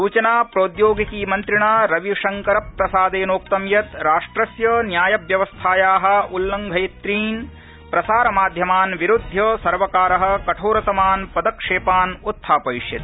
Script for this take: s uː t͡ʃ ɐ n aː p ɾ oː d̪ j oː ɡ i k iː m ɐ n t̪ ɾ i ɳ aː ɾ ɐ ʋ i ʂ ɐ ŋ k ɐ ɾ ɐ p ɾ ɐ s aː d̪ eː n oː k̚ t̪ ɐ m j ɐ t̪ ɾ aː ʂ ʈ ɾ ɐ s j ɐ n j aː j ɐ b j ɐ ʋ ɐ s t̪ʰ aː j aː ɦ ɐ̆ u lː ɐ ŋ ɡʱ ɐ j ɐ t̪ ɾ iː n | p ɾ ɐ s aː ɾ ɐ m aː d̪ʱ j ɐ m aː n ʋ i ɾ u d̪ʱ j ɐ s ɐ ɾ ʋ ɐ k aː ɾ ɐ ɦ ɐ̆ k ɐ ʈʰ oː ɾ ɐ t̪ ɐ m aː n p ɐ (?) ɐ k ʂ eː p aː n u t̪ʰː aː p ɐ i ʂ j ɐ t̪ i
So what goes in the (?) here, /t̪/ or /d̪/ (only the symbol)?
d̪